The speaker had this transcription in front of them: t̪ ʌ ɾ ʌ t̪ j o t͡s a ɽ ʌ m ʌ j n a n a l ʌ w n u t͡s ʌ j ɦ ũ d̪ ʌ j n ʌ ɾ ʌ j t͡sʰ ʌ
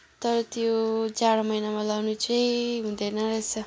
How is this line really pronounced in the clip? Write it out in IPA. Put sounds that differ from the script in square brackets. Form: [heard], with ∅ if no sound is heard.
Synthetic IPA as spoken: t̪ ʌ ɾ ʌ t̪ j o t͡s a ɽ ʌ m ʌ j n a [m] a l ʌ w n u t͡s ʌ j ɦ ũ d̪ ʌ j n ʌ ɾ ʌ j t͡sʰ ʌ